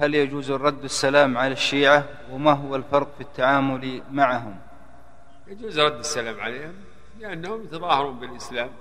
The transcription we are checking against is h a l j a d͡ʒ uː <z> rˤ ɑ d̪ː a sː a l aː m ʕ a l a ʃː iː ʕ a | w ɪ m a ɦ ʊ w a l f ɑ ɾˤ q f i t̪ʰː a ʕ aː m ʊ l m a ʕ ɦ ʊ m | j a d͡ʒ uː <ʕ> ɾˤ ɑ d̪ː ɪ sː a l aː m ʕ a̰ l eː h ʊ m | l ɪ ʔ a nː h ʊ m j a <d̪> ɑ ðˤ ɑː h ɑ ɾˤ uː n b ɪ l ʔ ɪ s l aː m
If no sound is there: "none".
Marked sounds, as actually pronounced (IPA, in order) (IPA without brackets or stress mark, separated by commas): z, z, t̪